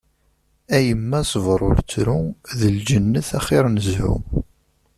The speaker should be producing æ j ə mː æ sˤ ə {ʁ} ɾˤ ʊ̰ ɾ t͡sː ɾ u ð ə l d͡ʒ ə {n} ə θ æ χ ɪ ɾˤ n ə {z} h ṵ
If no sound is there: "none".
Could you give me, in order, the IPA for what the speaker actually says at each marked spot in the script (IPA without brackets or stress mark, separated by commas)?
v, nː, z